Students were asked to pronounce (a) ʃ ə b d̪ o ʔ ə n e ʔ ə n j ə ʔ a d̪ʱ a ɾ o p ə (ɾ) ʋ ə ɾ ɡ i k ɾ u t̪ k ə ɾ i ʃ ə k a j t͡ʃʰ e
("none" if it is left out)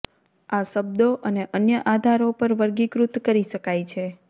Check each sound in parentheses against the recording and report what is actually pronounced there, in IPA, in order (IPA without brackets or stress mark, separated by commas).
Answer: a, ɾ